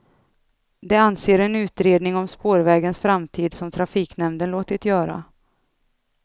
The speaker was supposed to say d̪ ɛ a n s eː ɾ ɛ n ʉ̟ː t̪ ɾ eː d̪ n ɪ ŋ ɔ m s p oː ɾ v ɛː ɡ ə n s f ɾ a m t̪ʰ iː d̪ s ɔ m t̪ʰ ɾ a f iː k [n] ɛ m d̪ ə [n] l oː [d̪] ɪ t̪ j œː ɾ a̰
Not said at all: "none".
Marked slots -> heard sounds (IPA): n, n, t̪

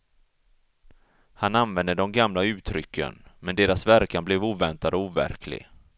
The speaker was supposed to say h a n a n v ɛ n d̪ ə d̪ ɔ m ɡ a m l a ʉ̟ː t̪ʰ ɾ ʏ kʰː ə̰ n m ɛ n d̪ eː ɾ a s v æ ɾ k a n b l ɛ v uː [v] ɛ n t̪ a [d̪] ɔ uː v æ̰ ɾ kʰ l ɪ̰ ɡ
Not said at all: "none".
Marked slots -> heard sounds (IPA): v, d̪

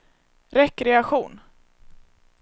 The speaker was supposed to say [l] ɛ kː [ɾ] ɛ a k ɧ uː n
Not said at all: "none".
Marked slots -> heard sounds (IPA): ɾ, ɾ

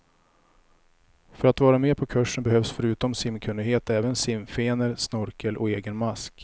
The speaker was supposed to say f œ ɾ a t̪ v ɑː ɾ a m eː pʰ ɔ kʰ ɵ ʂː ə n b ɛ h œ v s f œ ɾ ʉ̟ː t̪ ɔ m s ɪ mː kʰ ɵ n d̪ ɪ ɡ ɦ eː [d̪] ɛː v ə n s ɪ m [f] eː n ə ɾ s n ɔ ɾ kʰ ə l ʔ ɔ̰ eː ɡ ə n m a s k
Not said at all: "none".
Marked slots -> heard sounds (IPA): t̪, f

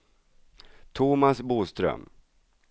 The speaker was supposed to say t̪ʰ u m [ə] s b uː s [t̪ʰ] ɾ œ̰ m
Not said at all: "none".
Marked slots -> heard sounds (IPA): a, t̪

